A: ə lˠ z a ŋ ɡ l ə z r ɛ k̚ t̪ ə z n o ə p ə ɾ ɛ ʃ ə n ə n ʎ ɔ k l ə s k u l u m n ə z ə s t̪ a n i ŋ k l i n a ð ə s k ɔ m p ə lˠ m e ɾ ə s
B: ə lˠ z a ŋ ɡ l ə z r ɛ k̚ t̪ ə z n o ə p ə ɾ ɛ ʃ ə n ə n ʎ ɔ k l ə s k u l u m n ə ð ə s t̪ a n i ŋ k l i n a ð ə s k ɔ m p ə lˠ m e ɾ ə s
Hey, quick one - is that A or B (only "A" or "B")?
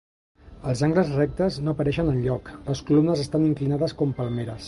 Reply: A